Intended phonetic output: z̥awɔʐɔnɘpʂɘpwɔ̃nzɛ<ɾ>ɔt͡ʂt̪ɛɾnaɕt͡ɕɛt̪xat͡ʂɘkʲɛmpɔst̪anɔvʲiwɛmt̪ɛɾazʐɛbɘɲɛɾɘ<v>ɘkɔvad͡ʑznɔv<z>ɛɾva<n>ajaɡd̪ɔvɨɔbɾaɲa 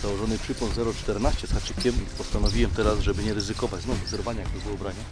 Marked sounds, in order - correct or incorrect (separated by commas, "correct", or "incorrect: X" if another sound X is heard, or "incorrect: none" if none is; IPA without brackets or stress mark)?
correct, incorrect: z, correct, incorrect: ɲ